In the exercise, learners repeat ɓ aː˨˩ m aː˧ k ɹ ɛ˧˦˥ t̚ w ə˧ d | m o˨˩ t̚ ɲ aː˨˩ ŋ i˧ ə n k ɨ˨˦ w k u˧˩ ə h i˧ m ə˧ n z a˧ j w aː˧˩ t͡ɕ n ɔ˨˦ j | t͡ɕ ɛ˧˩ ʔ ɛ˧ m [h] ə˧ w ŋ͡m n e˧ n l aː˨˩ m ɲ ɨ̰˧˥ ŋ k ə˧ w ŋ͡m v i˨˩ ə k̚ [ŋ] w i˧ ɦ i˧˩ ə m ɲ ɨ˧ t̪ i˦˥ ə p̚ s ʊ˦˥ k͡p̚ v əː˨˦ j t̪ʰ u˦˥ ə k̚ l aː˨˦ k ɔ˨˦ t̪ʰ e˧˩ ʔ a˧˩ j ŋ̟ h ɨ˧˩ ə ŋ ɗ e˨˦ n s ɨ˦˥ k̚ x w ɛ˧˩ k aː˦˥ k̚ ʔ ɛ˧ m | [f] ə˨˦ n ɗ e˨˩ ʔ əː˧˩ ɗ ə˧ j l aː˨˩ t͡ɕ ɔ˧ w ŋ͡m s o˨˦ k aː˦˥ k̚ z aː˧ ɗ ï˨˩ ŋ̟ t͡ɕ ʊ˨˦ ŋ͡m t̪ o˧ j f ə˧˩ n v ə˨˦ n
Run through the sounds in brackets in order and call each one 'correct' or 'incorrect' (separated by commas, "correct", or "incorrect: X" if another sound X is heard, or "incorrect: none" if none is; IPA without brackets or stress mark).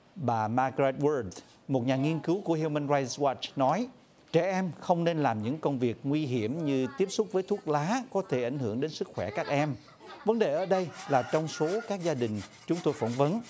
incorrect: x, correct, incorrect: v